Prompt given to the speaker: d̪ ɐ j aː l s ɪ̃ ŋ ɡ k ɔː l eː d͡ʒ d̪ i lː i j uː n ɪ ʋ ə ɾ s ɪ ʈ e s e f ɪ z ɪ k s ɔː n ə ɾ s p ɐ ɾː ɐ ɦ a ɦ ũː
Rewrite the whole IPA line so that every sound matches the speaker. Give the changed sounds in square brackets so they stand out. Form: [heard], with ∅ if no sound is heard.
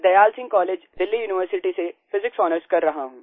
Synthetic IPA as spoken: d̪ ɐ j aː l s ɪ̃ ŋ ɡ k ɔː l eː d͡ʒ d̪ [ɪ] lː i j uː n ɪ ʋ ə ɾ s ɪ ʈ [i] s e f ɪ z ɪ k s ɔː n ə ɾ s [k] ɐ ɾː ɐ ɦ a ɦ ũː